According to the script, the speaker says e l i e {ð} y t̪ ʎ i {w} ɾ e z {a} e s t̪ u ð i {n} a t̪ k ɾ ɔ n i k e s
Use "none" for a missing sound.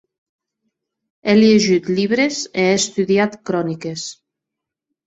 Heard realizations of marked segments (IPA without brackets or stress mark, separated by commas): ʒ, β, e, none